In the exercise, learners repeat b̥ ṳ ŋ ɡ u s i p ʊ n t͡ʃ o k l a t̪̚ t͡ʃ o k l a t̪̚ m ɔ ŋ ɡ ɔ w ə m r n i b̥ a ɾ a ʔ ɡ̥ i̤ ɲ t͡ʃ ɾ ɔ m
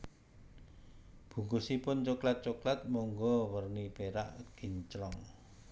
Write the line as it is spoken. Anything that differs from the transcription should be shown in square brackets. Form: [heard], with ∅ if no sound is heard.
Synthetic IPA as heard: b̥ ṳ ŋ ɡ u s i p ʊ n t͡ʃ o k l a t̪̚ t͡ʃ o k l a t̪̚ m ɔ ŋ ɡ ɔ w ə [∅] r n i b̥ [e] ɾ a ʔ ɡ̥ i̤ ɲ t͡ʃ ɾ ɔ [ŋ]